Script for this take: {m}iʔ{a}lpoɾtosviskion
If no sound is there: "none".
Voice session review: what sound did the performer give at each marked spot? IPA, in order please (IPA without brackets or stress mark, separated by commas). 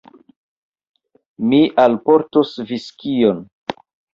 m, a